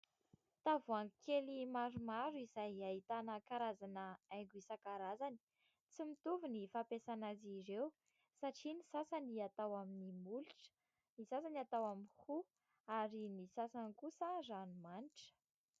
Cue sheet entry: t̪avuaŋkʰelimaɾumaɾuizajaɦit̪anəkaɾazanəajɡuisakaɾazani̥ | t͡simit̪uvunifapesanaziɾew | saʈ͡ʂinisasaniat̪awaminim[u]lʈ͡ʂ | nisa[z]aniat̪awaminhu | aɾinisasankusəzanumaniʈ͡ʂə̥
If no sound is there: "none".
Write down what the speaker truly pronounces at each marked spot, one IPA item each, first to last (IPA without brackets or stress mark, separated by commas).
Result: u, s